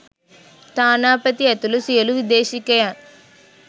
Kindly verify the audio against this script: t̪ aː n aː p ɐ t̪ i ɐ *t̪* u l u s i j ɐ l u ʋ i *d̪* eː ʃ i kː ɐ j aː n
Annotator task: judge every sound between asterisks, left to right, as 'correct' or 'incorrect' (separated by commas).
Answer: correct, correct